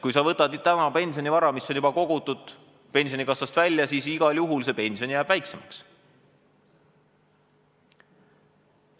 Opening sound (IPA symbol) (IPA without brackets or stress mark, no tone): k